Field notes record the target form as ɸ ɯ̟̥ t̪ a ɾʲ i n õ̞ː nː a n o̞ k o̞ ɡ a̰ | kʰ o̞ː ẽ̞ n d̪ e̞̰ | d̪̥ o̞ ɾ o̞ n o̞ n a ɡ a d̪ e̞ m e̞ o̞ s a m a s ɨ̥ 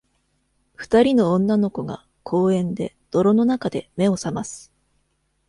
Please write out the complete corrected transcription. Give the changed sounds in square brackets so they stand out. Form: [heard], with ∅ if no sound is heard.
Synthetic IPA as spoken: ɸ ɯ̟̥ t̪ a ɾʲ i n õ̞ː nː a n o̞ k o̞ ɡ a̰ | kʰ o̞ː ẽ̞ n d̪ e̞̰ | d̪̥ o̞ ɾ o̞ n o̞ n a [k] a d̪ e̞ m e̞ o̞ s a m a s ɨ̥